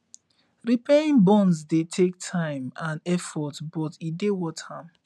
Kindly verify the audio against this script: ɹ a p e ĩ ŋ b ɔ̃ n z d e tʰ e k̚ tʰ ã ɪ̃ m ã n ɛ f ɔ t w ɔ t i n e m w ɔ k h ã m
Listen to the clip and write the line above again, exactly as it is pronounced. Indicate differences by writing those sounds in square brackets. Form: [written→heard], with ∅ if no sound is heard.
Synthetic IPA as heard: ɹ [a→i] p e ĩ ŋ b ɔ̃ n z d e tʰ e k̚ tʰ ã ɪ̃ m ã n ɛ f ɔ t [w→b] ɔ t i [n→d] e [m→∅] w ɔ [k→t] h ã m